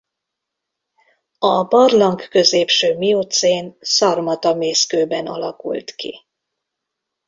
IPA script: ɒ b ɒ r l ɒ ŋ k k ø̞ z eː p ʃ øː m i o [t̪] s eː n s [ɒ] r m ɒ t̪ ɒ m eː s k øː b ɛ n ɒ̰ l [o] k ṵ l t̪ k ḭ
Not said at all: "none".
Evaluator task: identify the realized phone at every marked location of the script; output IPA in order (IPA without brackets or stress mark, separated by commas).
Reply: t̪, ɒ, ɒ